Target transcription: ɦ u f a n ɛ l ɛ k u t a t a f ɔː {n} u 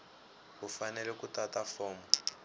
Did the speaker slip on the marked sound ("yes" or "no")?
yes